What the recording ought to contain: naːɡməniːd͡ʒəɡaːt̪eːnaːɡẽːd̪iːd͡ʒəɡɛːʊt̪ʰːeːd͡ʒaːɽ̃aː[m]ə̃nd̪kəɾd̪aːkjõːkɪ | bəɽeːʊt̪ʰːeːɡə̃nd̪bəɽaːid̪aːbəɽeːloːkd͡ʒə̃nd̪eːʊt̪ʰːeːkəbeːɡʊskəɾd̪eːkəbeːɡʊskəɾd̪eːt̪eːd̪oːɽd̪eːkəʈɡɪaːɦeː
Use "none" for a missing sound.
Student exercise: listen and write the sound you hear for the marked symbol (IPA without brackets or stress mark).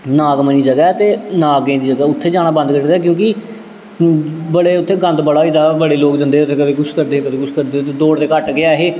b